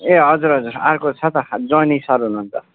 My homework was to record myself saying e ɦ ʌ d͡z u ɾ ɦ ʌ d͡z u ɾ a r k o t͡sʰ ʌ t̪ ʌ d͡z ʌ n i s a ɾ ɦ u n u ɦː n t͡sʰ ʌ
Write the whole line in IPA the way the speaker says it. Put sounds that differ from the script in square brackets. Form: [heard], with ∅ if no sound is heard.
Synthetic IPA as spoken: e ɦ ʌ d͡z u ɾ ɦ ʌ d͡z u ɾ a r k o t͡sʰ ʌ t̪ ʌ d͡z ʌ n i s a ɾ ɦ u n u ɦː n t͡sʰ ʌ